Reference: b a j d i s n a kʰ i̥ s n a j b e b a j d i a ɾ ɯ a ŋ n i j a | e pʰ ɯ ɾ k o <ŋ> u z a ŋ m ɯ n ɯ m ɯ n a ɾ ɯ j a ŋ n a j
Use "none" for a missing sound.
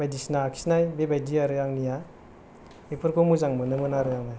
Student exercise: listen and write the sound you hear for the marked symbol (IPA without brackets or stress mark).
m